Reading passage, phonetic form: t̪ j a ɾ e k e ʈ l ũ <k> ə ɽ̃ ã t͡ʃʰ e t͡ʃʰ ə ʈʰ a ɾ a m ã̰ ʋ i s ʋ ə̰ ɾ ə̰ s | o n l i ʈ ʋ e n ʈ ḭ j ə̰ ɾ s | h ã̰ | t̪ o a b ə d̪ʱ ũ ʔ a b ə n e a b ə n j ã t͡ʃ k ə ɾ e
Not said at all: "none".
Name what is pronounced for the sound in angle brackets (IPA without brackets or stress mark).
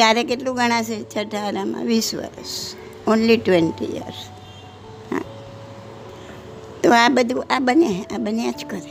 ɡ